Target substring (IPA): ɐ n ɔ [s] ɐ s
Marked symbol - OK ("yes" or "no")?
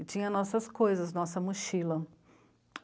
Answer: yes